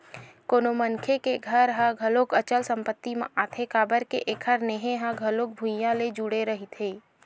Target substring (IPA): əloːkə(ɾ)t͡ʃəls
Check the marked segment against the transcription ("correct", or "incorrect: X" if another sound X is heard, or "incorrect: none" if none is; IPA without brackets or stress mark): incorrect: none